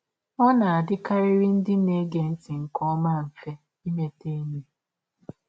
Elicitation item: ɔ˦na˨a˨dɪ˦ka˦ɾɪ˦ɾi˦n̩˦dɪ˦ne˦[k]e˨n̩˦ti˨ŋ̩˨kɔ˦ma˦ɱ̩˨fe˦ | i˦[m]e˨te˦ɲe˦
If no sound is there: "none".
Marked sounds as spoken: ɡ, m

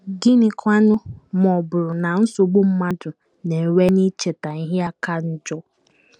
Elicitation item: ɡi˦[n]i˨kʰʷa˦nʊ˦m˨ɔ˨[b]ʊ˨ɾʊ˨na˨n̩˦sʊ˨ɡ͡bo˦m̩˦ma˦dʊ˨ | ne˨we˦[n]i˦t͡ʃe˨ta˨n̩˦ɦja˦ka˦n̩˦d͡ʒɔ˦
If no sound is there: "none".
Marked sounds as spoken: n, b, n

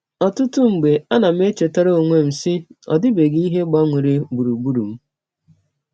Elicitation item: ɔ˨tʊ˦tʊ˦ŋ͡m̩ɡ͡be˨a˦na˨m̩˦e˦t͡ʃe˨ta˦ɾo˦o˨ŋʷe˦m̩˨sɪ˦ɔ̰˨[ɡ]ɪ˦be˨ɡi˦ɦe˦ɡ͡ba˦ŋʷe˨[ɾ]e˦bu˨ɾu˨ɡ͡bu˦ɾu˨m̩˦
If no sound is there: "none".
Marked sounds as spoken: d, ɾ

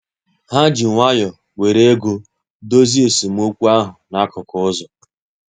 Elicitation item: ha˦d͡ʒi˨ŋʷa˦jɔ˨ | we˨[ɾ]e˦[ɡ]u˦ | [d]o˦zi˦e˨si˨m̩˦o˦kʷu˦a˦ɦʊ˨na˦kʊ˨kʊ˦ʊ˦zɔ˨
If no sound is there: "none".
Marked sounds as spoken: ɾ, ɡ, d

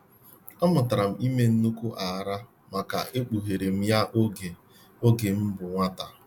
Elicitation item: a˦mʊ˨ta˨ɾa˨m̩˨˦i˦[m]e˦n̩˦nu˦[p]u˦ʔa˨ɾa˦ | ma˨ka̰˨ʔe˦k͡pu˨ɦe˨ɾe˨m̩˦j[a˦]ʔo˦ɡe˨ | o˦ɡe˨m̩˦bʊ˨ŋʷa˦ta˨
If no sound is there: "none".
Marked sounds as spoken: m, k, a˦

